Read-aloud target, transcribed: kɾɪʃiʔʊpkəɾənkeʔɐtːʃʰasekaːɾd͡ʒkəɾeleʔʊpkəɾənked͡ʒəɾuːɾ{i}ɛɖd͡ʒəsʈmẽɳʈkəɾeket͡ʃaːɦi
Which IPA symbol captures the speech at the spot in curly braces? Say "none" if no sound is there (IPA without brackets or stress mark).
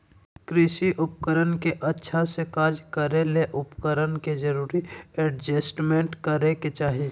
i